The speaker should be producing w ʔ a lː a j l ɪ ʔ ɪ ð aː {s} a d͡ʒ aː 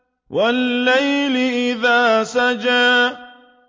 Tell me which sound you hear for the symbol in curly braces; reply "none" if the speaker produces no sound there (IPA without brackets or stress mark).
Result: s